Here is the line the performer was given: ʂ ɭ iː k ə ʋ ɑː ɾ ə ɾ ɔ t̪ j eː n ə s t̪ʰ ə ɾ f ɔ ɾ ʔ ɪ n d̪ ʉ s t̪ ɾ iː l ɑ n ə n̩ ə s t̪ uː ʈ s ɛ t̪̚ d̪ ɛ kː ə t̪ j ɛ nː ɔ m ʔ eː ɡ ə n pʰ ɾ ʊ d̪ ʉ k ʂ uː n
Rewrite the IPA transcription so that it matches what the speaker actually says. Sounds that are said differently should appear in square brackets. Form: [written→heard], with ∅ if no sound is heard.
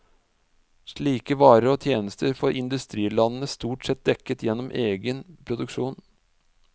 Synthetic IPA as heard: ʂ ɭ iː k ə ʋ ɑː ɾ ə ɾ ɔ [t̪→t̪ʰ] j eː n ə s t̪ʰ ə ɾ f ɔ ɾ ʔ ɪ n d̪ ʉ s t̪ ɾ iː l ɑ n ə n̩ ə s t̪ uː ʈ s ɛ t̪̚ d̪ ɛ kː ə t̪ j ɛ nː ɔ m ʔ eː ɡ ə n pʰ ɾ ʊ d̪ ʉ k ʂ uː n